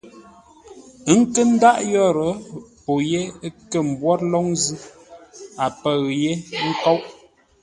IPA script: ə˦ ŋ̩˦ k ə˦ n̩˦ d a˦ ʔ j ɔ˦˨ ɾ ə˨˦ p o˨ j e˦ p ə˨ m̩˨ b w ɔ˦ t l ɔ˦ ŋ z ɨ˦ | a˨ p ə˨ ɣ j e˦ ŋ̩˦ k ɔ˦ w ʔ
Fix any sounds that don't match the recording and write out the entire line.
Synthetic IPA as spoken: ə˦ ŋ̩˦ k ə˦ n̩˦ d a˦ ʔ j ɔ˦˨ ɾ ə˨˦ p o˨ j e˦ k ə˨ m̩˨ b w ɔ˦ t l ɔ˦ ŋ z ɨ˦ | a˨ p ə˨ ɣ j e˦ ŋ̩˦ k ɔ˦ w ʔ